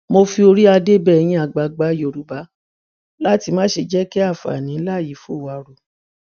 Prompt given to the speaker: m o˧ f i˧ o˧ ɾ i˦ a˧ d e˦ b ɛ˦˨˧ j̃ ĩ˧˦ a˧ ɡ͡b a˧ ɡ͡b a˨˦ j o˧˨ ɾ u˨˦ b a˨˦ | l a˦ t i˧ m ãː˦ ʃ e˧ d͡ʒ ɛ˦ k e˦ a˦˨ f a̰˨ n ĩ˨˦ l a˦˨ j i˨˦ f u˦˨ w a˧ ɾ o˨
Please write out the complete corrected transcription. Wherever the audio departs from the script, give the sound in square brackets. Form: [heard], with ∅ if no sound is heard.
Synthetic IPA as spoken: m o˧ f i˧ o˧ ɾ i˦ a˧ d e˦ b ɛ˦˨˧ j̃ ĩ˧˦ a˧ ɡ͡b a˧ ɡ͡b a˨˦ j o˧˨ ɾ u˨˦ b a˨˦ | l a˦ t i˧ m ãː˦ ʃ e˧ d͡ʒ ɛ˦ k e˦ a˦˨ f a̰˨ n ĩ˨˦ l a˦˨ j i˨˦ f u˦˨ w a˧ ɾ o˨